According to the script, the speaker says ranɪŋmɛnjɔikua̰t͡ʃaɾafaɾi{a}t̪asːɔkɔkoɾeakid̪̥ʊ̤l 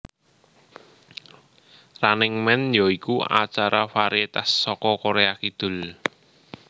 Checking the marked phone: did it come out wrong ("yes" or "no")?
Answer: yes